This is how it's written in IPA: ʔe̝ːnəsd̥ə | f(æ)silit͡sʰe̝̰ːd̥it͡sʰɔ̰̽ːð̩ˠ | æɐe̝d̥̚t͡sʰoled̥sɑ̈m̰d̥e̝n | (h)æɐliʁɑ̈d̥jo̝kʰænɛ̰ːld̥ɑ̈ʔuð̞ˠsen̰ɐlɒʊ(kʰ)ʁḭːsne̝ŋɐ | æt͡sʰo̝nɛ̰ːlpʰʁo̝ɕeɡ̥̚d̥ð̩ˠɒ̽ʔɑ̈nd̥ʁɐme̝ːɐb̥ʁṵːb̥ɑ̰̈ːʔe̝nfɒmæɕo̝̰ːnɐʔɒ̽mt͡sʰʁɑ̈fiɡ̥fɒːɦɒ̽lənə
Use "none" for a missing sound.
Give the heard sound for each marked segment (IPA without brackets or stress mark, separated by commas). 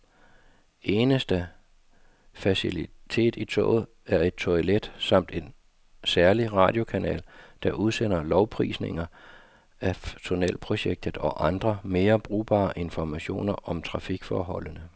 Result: æ, s, pʰ